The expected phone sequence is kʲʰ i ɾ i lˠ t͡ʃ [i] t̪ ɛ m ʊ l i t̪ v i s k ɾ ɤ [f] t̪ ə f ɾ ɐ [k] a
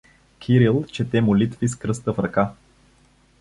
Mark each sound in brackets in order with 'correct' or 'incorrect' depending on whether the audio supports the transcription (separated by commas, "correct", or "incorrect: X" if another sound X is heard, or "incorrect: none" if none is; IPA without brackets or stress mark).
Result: incorrect: ɛ, incorrect: s, correct